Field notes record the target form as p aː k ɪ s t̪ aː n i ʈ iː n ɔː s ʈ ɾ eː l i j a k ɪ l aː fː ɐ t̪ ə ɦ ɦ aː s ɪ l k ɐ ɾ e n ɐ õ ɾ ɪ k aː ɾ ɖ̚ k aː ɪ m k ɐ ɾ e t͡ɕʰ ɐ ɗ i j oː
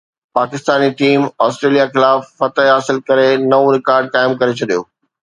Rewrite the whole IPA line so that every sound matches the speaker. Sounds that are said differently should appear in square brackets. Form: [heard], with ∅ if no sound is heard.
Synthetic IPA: p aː k ɪ s t̪ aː n i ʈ iː [m] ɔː s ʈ ɾ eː l i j a [x] ɪ l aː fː ɐ t̪ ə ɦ ɦ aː s ɪ l k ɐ ɾ e n ɐ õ ɾ ɪ k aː ɾ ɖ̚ k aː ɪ m k ɐ ɾ e t͡ɕʰ ɐ ɗ i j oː

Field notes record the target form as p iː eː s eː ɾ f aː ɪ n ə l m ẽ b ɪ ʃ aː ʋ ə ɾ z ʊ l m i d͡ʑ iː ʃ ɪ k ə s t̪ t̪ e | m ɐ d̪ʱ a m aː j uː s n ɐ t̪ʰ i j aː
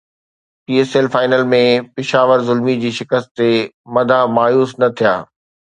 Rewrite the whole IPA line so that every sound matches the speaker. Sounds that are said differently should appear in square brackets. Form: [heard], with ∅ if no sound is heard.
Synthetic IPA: p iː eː s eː [l] f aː ɪ n ə l m ẽ [p] ɪ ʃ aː ʋ ə ɾ z ʊ l m i d͡ʑ iː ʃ ɪ k ə s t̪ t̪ e | m ɐ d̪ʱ a m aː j uː s n ɐ t̪ʰ i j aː

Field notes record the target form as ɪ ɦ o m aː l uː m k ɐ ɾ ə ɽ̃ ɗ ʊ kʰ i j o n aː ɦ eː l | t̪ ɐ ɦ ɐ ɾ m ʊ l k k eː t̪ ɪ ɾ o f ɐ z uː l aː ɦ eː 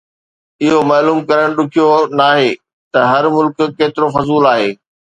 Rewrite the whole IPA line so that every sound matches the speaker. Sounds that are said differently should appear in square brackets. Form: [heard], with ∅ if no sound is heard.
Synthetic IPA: ɪ ɦ o m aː l uː m k ɐ ɾ ə ɽ̃ ɗ ʊ kʰ i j o n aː ɦ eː [∅] | t̪ ɐ ɦ ɐ ɾ m ʊ l k k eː t̪ ɪ ɾ o f ɐ z uː l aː ɦ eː

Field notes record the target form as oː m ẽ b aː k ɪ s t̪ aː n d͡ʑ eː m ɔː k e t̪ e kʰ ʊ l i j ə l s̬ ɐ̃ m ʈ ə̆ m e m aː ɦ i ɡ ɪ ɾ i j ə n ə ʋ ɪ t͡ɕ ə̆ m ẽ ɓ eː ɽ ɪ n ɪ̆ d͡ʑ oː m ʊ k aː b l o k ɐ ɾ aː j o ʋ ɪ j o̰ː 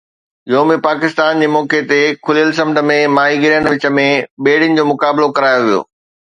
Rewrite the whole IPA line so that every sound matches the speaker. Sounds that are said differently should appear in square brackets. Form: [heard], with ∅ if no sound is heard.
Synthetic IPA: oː m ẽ [p] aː k ɪ s t̪ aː n d͡ʑ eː m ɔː k e t̪ e kʰ ʊ l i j ə l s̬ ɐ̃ m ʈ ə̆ m [ẽ] m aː ɦ i ɡ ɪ ɾ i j ə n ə ʋ ɪ t͡ɕ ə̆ m ẽ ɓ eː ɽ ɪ n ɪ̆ d͡ʑ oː m ʊ k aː b l o k ɐ ɾ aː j o ʋ [i] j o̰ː

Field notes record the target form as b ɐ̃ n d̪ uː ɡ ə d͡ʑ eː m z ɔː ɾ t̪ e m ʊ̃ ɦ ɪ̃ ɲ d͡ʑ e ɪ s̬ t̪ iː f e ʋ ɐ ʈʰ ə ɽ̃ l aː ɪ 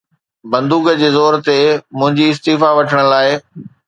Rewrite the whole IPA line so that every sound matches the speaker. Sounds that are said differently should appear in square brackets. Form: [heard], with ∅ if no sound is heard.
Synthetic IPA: b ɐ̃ n d̪ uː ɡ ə d͡ʑ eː [∅] z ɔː ɾ t̪ e m ʊ̃ ɦ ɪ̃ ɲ d͡ʑ [i] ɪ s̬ t̪ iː f [a] ʋ ɐ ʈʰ ə ɽ̃ l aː ɪ

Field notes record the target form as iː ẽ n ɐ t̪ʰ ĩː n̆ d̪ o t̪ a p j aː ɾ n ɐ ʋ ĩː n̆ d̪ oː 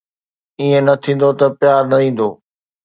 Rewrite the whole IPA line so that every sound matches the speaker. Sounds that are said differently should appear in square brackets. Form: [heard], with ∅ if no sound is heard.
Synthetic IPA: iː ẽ n ɐ t̪ʰ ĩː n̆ d̪ o t̪ [ɐ] p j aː ɾ n ɐ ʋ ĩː n̆ d̪ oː

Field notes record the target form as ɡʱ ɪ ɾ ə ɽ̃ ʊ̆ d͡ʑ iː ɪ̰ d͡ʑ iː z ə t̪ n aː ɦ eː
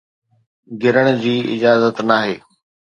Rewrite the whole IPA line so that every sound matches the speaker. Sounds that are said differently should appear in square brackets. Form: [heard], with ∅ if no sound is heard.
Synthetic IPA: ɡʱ ɪ ɾ ə ɽ̃ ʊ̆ d͡ʑ iː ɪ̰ d͡ʑ [aː] z ə t̪ n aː ɦ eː

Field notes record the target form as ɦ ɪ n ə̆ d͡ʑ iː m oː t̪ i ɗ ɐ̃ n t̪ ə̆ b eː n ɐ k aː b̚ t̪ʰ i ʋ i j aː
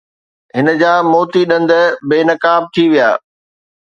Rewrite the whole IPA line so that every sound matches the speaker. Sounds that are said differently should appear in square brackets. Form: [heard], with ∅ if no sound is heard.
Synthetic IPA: ɦ ɪ n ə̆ d͡ʑ [aː] m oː t̪ i ɗ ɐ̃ n [d̪] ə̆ b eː n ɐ k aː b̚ t̪ʰ i ʋ i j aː

